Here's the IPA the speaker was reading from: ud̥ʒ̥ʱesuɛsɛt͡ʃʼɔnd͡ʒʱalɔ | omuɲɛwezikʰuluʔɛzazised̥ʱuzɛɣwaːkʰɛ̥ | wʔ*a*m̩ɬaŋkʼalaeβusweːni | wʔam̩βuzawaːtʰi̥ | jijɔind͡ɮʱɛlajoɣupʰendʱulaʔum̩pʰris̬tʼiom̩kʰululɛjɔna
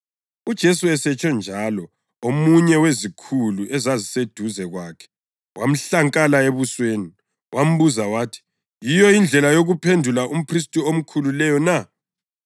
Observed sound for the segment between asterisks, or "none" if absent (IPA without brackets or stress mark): a